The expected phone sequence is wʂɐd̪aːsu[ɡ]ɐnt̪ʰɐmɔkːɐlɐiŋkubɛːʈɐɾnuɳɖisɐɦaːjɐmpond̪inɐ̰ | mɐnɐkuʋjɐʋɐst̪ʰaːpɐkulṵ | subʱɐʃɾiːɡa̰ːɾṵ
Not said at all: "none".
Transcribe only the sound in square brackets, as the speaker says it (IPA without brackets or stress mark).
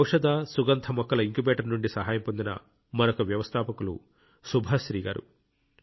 ɡ